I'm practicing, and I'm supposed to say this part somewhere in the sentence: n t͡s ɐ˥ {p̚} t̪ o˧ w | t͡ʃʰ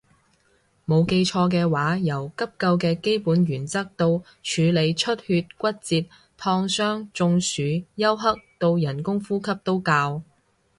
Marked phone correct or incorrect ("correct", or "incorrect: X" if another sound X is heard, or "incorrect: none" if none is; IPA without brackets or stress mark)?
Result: incorrect: k̚